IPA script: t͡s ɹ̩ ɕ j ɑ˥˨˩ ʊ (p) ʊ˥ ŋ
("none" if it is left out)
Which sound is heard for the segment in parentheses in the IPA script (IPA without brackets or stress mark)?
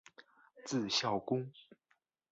k